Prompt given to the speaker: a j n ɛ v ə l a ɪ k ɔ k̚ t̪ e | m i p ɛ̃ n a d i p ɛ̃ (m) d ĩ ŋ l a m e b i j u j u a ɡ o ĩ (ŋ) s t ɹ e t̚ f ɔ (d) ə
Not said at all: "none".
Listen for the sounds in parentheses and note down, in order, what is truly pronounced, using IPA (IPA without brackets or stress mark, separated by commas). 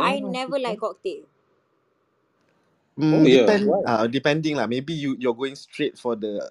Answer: n, ŋ, d